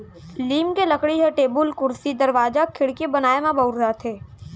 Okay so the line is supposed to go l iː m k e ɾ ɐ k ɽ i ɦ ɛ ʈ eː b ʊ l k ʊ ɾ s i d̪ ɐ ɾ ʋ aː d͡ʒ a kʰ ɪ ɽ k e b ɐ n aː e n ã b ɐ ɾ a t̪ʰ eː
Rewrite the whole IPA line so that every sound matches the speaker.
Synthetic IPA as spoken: l iː m k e l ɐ k ɽ i ɦ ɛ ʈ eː b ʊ l k ʊ ɾ s i d̪ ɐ ɾ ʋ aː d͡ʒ a kʰ ɪ ɽ k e b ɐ n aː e m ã b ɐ ɾ a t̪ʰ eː